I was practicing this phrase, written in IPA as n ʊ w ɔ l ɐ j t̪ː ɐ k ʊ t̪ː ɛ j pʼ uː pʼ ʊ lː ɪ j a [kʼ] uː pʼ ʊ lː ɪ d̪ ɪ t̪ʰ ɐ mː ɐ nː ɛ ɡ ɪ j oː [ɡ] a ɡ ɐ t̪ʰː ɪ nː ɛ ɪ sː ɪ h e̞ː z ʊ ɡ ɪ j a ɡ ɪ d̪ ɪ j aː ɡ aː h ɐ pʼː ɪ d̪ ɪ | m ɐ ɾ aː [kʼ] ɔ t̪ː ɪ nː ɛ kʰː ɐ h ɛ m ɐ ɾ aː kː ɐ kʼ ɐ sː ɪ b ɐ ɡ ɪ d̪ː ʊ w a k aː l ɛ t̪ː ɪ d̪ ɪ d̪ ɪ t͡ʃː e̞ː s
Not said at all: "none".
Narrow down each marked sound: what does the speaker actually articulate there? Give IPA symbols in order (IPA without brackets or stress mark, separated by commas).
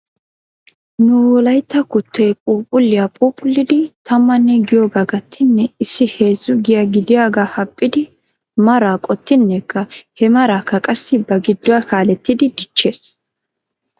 pʼ, ɡ, kʼ